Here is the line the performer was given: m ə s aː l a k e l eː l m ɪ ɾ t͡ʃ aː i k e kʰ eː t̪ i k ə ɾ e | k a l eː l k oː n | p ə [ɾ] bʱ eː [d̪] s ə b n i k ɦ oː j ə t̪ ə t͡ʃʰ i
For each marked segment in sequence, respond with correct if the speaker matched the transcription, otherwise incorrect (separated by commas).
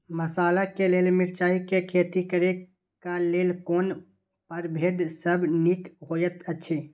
correct, correct